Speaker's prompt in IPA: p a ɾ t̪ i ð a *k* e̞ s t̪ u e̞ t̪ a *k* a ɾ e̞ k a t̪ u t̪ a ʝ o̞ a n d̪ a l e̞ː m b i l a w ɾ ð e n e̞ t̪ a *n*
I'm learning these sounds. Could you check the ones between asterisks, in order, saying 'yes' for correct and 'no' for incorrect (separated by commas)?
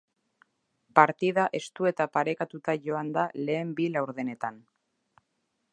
no, no, yes